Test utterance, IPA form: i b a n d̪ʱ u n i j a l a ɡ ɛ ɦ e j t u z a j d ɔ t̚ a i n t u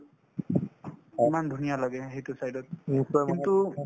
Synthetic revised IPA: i m a n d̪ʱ u n i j a l a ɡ ɛ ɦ e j t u s a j d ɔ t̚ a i n t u